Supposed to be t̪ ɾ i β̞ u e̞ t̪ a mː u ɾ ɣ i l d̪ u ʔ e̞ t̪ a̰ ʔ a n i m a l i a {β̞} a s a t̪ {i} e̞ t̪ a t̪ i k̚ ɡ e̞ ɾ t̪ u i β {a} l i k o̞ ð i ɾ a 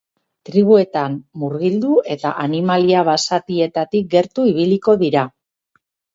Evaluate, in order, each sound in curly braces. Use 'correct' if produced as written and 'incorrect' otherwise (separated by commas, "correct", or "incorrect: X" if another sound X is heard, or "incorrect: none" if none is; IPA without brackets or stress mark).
correct, correct, incorrect: i